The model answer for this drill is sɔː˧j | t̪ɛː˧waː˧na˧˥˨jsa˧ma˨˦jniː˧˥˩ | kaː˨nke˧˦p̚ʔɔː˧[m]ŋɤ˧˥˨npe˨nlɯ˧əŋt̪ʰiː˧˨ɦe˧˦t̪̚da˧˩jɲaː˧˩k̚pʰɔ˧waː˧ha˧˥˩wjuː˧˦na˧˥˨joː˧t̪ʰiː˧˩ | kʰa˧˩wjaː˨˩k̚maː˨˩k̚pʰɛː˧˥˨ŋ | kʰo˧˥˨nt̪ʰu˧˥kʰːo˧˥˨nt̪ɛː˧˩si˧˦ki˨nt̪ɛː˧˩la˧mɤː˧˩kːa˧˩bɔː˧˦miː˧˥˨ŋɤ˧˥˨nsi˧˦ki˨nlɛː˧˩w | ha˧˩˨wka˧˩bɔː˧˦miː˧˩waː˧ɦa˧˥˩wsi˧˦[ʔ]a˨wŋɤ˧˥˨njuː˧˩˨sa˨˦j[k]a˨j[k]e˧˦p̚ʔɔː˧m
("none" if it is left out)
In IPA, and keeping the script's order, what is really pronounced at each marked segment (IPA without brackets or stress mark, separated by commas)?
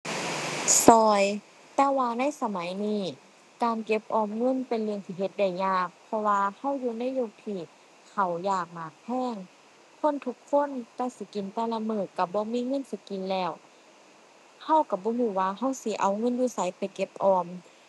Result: m, ʔ, p, k